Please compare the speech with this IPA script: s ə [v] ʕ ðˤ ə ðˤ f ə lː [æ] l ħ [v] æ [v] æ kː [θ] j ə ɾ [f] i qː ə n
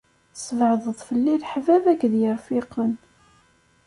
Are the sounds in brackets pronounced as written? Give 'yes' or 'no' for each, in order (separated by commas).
yes, no, yes, yes, no, yes